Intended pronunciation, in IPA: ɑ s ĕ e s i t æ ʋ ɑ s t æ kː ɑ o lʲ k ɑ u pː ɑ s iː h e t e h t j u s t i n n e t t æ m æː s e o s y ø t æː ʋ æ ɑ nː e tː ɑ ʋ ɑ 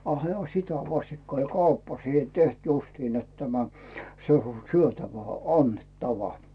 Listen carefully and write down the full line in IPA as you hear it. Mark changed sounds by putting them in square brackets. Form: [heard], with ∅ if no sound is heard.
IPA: ɑ [h] ĕ [æ] s i t æ ʋ ɑ s t [i] kː ɑ o lʲ k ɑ u pː ɑ s iː h e t e h t j u s t i n n e t t æ m [æ] s e o s y ø t [æ] ʋ æ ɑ nː e tː ɑ ʋ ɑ